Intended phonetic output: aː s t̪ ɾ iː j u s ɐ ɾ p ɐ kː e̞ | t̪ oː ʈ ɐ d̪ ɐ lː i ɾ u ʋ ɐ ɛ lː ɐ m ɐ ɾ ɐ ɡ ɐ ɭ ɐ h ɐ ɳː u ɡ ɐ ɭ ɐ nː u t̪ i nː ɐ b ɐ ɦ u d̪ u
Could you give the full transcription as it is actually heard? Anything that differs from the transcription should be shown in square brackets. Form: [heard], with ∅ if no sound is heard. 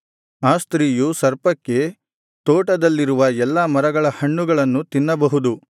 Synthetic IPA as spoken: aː s t̪ ɾ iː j u s ɐ ɾ p ɐ kː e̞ | t̪ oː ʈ ɐ d̪ ɐ lː i ɾ u ʋ ɐ ɛ lː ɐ m ɐ ɾ ɐ ɡ ɐ ɭ ɐ h ɐ ɳː u ɡ ɐ ɭ ɐ nː u t̪ i nː ɐ b ɐ ɦ u d̪ u